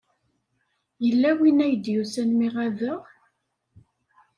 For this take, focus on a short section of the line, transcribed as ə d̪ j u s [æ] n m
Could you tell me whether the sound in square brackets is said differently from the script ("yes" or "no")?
no